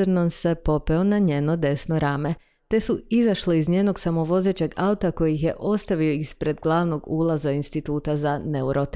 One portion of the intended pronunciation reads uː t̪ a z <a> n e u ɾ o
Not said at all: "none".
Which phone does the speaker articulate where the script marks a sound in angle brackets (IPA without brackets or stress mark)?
a